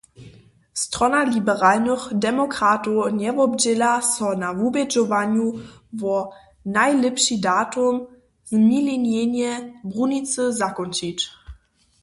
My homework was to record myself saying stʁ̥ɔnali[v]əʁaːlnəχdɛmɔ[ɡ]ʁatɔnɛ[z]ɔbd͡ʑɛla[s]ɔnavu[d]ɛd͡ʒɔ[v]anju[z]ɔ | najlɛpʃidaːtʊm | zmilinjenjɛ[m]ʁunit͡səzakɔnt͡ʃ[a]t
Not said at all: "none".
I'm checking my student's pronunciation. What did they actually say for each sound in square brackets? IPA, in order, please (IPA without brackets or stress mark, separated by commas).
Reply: b, k, v, s, b, v, v, b, i